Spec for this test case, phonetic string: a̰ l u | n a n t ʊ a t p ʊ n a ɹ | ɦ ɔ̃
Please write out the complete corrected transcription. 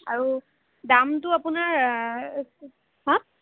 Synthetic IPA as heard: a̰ ɹ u | d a m t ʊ a p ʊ n a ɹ | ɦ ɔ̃